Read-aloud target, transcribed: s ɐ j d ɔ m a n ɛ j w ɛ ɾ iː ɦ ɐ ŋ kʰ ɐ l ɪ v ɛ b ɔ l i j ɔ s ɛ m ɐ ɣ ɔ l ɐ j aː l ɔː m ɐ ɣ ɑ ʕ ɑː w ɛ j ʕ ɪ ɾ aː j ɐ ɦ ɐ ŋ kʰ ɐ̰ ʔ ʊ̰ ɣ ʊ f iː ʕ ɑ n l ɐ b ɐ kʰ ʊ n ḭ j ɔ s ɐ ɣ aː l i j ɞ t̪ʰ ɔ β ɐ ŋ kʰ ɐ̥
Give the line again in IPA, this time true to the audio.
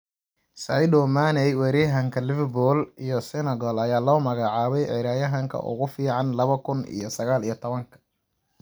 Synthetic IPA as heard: s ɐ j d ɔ m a n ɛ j w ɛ ɾ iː ɦ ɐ ŋ kʰ ɐ l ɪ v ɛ b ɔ l i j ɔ s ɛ n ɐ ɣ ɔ l ɐ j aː l ɔː m ɐ ɣ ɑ ʕ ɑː β ɛ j ʕ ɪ ɾ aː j ɐ ɦ ɐ ŋ kʰ ɐ̰ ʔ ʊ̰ ɣ ʊ f iː ʕ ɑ n l ɐ β ɐ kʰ ʊ n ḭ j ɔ s ɐ ɣ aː l i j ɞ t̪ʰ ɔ β ɐ ŋ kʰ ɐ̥

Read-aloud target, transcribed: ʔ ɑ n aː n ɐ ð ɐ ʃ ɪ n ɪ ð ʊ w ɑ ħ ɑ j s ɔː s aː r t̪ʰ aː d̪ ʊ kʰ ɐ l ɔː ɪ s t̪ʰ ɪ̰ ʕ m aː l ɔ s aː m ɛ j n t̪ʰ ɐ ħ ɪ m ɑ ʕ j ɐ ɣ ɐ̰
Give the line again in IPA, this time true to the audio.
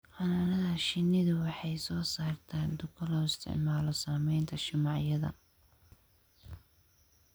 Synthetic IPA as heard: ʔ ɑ n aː n ɐ ð ɐ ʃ ɪ n ɪ ð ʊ w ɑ ħ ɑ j s ɔː s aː r t̪ʰ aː d̪ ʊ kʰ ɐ l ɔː ɪ s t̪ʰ ɪ̰ ʕ m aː l ɔ s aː m ɛ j n t̪ʰ ɐ ʃ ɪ m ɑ ʕ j ɐ ð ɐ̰

